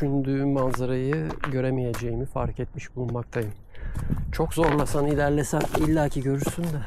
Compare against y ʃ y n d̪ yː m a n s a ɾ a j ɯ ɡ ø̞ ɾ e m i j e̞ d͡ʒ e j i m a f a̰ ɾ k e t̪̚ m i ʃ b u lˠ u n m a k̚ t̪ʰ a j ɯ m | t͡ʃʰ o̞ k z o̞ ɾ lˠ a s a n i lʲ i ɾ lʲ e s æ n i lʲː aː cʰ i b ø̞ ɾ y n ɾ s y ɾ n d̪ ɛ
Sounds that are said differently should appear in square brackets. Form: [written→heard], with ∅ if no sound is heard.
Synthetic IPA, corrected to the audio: y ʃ y n d̪ yː m a n [s→z] a ɾ a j ɯ [ɡ→ɟ] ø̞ ɾ e m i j e̞ d͡ʒ e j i m [a→i] f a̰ ɾ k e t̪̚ m i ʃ b u lˠ u n m a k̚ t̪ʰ a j ɯ m | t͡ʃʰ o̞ k z o̞ ɾ lˠ a s a n i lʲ [i→æ] ɾ lʲ e s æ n i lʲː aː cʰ i [b→ɟ] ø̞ ɾ y [n→∅] ɾ s y [ɾ→∅] n d̪ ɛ